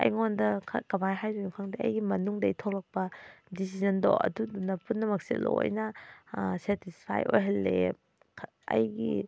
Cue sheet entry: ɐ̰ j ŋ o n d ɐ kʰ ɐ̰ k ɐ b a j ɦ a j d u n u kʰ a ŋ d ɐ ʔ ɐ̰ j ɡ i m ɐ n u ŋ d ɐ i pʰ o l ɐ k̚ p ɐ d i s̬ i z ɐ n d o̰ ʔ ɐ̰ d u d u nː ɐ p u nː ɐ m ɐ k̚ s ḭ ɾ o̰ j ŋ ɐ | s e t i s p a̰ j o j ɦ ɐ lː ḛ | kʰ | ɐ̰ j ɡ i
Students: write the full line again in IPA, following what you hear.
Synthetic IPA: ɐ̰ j ŋ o n d ɐ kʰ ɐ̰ k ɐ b a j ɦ a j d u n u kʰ a ŋ d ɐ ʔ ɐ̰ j ɡ i m ɐ n u ŋ d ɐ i tʰ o l ɐ k̚ p ɐ d i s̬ i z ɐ n d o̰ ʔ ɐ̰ d u d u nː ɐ p u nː ɐ m ɐ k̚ s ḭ l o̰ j n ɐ | s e t i s pʰ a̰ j o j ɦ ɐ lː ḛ | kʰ | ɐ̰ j ɡ i